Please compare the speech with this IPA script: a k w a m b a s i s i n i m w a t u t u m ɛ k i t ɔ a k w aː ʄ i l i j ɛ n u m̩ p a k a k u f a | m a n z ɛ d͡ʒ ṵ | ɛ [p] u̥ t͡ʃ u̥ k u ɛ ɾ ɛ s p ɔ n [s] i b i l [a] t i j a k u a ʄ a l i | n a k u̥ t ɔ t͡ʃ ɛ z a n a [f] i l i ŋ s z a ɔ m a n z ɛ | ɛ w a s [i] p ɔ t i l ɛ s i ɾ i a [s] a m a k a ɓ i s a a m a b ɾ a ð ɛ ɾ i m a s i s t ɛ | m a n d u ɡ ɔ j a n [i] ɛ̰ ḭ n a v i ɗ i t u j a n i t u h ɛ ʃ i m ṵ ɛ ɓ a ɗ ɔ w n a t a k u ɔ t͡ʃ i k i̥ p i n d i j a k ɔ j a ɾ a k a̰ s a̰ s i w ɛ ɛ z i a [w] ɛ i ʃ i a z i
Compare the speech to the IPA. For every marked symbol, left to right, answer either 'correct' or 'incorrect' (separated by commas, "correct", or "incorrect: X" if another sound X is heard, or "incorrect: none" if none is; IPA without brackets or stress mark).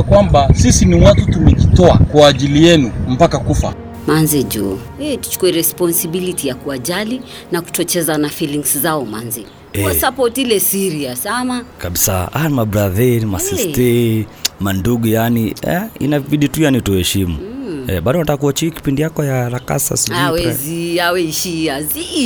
incorrect: t, correct, incorrect: i, correct, incorrect: a, correct, correct, correct